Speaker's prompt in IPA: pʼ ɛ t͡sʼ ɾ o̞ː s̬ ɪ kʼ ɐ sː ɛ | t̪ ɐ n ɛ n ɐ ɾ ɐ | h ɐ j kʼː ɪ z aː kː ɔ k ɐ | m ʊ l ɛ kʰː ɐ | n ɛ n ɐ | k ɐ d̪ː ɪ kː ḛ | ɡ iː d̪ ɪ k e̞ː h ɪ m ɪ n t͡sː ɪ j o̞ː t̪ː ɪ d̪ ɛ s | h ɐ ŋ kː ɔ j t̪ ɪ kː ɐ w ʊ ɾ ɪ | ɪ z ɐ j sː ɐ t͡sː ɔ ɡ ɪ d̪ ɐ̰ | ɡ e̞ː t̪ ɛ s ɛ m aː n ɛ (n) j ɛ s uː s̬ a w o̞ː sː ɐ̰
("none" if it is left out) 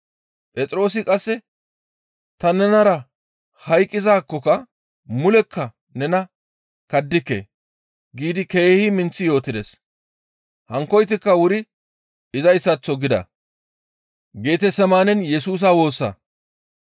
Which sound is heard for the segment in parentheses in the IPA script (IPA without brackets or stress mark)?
n